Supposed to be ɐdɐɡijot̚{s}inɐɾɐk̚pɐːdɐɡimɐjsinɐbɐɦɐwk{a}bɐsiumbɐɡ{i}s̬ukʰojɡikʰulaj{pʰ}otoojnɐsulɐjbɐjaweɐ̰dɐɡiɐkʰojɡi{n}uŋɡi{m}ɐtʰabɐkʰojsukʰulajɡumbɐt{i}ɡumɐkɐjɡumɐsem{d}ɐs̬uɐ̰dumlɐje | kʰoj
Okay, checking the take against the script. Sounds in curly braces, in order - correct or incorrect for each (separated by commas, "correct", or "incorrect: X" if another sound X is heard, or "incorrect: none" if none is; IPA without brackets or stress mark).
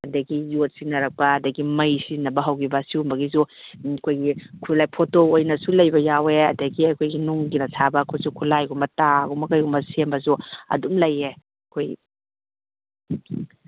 correct, incorrect: i, correct, correct, correct, incorrect: n, incorrect: a, incorrect: b